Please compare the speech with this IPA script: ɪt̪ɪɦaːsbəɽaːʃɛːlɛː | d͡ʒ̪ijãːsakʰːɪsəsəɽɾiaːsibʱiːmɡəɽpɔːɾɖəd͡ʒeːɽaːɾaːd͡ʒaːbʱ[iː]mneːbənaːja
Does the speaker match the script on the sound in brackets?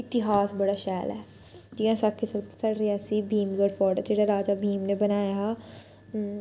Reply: yes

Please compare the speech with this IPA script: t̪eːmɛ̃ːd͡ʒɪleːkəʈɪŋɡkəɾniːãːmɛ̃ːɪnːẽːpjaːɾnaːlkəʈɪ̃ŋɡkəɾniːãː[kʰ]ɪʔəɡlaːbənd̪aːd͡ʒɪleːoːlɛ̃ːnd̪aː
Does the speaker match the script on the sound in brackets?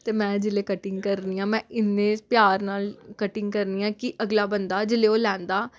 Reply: no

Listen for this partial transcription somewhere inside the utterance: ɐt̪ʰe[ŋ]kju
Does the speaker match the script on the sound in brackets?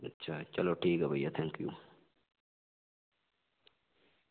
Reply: yes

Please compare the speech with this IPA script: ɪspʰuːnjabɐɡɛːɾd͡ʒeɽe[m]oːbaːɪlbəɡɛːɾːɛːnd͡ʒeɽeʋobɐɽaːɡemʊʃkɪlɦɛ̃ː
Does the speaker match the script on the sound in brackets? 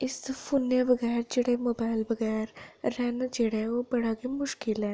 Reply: yes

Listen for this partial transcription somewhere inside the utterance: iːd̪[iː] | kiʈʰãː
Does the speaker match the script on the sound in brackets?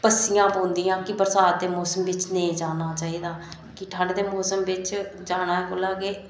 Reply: no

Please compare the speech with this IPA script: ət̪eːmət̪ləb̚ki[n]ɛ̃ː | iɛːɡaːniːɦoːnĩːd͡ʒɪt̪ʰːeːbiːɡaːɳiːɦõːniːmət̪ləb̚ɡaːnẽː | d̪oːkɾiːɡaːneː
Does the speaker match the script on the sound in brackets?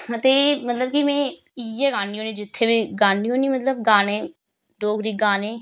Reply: no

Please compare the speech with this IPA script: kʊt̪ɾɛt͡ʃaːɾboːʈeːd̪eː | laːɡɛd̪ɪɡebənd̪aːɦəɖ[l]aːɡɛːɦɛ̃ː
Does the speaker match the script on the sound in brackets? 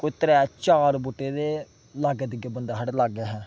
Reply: yes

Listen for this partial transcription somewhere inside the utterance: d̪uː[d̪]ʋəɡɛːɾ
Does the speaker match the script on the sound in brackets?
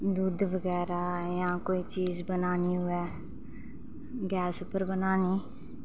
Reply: yes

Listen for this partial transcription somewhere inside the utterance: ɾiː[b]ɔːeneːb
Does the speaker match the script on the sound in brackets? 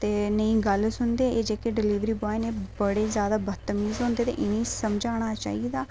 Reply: yes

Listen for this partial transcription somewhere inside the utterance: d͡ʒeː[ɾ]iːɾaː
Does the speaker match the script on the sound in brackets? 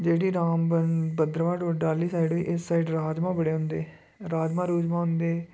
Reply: no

